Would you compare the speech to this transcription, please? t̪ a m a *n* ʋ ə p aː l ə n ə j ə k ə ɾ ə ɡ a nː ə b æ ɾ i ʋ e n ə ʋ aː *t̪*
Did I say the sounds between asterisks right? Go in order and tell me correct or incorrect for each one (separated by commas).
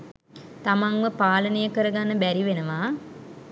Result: incorrect, incorrect